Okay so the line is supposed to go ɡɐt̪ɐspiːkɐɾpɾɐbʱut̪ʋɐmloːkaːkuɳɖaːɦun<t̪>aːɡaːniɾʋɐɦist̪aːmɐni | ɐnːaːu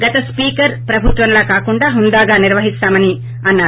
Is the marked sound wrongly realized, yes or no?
yes